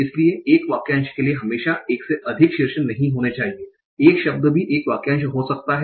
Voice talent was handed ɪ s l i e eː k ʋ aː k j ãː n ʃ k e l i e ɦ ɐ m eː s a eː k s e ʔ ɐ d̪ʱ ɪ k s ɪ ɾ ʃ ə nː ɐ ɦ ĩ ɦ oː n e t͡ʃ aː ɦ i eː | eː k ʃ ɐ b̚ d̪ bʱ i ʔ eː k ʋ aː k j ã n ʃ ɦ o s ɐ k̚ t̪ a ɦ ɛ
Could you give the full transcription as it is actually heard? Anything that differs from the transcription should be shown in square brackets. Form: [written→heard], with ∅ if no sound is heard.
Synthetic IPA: ɪ s l i e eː k ʋ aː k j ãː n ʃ k e l i e ɦ ɐ m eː [s→ʃ] a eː k s e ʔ ɐ d̪ʱ ɪ k [s→ʃ] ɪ ɾ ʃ ə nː ɐ ɦ ĩ ɦ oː n e t͡ʃ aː ɦ i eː | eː k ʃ ɐ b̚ d̪ bʱ i ʔ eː k ʋ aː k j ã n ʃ ɦ o s ɐ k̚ t̪ a ɦ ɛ